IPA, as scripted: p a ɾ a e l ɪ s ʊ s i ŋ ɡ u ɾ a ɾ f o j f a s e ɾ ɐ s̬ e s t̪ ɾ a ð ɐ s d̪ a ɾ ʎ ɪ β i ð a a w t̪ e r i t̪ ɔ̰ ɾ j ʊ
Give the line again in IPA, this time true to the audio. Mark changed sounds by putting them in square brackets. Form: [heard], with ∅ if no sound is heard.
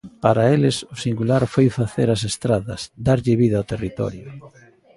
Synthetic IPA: p a ɾ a e l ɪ s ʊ s i ŋ ɡ u [l] a ɾ f o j f a [θ] e ɾ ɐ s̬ e s t̪ ɾ a ð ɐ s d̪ a ɾ ʎ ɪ β i ð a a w t̪ e r i t̪ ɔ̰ ɾ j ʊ